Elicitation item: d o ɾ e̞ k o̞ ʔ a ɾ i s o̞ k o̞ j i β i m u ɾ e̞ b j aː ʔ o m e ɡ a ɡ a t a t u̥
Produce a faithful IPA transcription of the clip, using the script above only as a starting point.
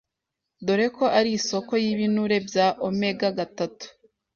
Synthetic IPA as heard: d o ɾ e̞ k o̞ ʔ a ɾ i s o̞ k o̞ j i β i n u ɾ e̞ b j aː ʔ o m e ɡ a ɡ a t a t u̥